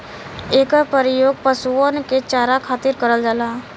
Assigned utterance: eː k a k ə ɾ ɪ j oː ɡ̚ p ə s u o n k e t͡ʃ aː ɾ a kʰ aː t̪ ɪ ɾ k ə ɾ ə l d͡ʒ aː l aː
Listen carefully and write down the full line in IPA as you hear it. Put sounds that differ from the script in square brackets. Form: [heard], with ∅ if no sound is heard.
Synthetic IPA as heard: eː k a [p] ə ɾ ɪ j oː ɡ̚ p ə s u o n k e t͡ʃ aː ɾ a kʰ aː t̪ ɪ ɾ k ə ɾ ə l d͡ʒ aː l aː